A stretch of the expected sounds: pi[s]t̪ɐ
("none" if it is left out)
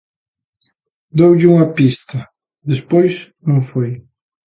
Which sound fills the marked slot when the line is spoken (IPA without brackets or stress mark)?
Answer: s